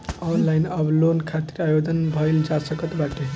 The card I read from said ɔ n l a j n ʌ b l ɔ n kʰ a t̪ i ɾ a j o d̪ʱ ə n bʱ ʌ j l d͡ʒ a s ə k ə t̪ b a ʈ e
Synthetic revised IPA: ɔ n l a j n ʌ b l o n kʰ a t̪ i ɾ a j o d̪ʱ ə n bʱ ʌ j l d͡ʒ a s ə k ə t̪ b a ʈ e